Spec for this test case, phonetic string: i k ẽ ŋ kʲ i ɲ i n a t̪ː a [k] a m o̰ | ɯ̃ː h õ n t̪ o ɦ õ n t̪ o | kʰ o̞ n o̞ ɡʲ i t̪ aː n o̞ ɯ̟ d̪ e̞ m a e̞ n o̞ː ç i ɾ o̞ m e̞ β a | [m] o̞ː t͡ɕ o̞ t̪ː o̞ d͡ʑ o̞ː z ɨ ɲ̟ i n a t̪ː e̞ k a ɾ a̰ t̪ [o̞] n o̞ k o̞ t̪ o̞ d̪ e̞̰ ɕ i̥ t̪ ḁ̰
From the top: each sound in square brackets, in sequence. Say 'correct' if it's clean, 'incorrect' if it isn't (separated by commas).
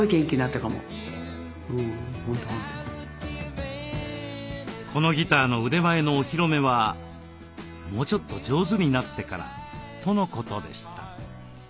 correct, correct, correct